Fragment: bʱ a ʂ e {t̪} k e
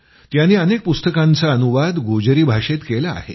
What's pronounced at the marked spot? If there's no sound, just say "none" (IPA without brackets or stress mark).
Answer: t̪